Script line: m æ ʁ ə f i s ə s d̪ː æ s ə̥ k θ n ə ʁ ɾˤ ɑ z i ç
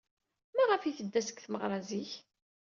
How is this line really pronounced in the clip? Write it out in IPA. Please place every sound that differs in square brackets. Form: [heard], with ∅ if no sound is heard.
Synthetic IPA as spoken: m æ ʁ ə f i [θ] ə [∅] d̪ː æ s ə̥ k θ [m] ə ʁ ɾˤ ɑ z i ç

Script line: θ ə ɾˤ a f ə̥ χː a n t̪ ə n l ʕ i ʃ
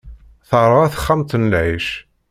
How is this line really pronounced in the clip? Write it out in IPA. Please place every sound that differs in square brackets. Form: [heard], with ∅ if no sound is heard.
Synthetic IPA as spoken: θ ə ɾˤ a [θ] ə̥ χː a [m] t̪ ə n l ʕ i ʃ

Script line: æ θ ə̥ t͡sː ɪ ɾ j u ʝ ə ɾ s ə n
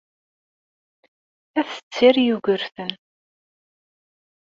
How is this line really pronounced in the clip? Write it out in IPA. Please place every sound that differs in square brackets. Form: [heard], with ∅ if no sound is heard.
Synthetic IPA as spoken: æ θ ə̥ t͡sː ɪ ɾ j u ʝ ə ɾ [θ] ə n

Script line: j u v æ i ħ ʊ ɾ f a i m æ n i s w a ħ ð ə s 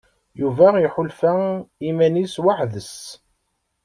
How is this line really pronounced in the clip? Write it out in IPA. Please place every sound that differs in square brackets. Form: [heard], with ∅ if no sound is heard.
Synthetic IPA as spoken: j u v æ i ħ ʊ [l] f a i m æ n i s w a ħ ð ə s

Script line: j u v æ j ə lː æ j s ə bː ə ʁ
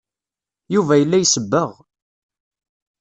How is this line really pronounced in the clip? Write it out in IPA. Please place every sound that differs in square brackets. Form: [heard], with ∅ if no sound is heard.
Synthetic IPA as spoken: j u v æ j ə lː æ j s ə bː ə ʁ

